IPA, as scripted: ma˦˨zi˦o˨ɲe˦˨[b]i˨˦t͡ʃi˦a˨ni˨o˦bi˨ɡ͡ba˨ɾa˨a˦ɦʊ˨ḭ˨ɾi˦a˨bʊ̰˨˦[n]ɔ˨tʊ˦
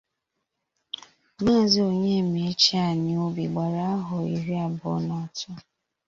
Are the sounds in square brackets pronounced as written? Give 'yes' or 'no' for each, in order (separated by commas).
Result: no, yes